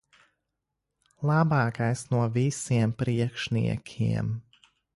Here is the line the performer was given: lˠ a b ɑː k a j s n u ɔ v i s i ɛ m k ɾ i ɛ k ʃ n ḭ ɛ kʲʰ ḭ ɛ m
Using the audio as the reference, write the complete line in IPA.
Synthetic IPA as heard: lˠ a b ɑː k a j s n u ɔ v i s i ɛ m p ɾ i ɛ k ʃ n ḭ ɛ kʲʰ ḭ ɛ m